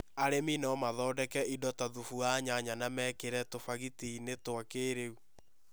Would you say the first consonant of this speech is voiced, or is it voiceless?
voiced